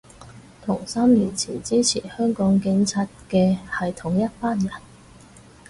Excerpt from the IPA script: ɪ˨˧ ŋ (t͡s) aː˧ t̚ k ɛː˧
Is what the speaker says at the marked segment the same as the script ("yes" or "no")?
no